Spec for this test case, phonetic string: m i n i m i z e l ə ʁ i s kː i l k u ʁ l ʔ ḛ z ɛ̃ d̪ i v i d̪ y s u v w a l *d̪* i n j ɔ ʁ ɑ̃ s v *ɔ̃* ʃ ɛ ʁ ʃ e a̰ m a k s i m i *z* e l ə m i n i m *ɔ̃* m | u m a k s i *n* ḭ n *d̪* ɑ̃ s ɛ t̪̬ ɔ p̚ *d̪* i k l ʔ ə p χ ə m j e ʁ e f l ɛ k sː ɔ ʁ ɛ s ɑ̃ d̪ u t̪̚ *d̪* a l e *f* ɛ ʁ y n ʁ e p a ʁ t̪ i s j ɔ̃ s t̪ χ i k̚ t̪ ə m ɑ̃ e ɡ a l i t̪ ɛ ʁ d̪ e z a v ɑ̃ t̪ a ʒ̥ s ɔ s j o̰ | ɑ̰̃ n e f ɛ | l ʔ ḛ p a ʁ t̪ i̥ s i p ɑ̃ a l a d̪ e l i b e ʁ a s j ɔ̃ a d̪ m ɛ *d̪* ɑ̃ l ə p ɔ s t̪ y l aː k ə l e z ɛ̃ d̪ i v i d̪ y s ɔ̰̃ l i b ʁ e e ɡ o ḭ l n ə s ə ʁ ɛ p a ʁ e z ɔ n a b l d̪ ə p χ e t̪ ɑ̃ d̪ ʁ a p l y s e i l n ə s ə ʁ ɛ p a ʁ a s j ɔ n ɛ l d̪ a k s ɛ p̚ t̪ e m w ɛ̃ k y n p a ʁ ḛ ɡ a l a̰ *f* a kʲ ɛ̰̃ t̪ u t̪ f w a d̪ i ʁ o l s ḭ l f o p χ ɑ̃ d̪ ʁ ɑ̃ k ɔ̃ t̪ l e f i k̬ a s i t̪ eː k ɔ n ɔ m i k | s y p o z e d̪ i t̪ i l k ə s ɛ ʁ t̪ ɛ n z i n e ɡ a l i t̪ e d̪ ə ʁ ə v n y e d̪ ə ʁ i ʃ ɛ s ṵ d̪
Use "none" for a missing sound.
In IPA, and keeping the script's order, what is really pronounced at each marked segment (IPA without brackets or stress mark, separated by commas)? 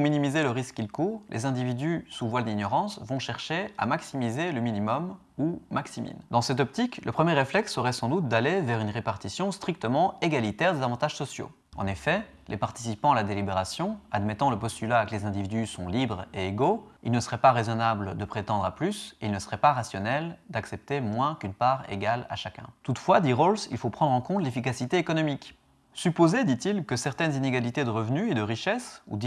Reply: d̪, ɔ̃, z, ɔ, m, d̪, t̪, d̪, v, t̪, ʃ